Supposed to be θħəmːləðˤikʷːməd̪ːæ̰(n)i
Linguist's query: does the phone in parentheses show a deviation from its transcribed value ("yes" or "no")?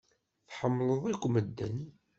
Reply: no